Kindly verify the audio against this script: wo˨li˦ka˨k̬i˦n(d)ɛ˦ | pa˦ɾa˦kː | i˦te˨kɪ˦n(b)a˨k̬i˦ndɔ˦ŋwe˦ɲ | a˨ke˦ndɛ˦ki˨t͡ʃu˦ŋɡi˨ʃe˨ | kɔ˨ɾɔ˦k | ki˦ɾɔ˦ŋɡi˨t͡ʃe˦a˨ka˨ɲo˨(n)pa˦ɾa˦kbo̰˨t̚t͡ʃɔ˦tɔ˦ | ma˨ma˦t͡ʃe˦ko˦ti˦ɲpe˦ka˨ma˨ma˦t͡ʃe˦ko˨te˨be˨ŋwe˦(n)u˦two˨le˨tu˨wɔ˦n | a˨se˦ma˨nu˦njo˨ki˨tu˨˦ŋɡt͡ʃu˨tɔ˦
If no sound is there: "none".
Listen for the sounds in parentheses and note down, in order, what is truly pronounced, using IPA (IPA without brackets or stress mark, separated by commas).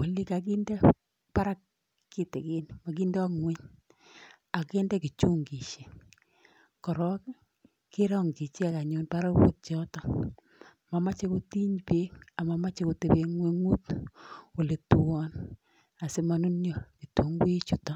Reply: d, m, n, ŋ